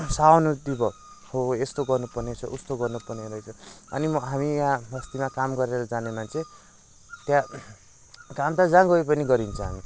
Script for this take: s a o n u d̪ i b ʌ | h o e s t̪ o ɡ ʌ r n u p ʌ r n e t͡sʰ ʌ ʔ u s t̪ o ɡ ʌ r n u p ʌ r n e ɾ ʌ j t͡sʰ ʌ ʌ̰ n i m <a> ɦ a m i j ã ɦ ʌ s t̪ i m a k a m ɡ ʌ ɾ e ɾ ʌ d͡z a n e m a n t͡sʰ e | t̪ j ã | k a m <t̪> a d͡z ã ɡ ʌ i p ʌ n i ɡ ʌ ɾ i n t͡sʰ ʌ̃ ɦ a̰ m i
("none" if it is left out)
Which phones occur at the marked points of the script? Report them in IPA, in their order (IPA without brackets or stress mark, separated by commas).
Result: ʌ, t̪